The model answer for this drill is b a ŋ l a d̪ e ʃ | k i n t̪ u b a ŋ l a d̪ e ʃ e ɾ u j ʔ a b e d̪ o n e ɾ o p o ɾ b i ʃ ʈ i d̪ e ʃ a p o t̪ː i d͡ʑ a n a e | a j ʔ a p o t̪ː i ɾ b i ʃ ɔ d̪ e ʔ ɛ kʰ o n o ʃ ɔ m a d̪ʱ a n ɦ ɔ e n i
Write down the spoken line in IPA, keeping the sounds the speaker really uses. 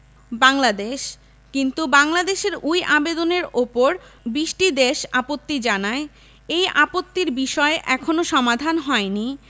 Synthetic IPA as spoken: b a ŋ l a d̪ e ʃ | k i n t̪ u b a ŋ l a d̪ e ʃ e ɾ u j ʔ a b e d̪ o n e ɾ o p o ɾ b i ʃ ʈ i d̪ e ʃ a p o t̪ː i d͡ʑ a n a e | e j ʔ a p o t̪ː i ɾ b i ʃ ɔ e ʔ ɛ kʰ o n o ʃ ɔ m a d̪ʱ a n ɦ ɔ e n i